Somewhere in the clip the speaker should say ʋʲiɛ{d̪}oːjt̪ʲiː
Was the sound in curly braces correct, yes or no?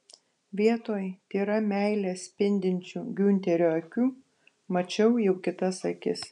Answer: no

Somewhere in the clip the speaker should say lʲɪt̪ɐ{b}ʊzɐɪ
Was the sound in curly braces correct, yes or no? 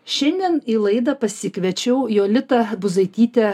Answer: yes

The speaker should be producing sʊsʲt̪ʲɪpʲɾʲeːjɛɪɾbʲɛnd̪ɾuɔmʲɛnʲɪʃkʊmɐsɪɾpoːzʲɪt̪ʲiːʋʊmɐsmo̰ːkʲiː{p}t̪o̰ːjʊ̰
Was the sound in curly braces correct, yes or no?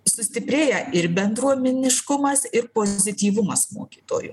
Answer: no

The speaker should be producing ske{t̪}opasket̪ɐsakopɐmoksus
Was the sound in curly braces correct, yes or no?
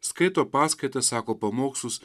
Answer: yes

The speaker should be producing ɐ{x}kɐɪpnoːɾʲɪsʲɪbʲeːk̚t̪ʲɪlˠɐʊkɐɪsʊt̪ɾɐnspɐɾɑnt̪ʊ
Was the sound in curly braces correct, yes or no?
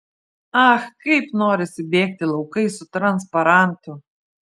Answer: yes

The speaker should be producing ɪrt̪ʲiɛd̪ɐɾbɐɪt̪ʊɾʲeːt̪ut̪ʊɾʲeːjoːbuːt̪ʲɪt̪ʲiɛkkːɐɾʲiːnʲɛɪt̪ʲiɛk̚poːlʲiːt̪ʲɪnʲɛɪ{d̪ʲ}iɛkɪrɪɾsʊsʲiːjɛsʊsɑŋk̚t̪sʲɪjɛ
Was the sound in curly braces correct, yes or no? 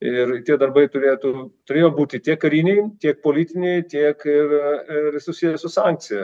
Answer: no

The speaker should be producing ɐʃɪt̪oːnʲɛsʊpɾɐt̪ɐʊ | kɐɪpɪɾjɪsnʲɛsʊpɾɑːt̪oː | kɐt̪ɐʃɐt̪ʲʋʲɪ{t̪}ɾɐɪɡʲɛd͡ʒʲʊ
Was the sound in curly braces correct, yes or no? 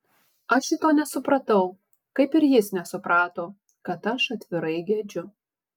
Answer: no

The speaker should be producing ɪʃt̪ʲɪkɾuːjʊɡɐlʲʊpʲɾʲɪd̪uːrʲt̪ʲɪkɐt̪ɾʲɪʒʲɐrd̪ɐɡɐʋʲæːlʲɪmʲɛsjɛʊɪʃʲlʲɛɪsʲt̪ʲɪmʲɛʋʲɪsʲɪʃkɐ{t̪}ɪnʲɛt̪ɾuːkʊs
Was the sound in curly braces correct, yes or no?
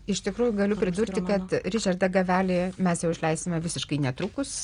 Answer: no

